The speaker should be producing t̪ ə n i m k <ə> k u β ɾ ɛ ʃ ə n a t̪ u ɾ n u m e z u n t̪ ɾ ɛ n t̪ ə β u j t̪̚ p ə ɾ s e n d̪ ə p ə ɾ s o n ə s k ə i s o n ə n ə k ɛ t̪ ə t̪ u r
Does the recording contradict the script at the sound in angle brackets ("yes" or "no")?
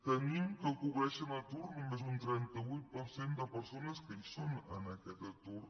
no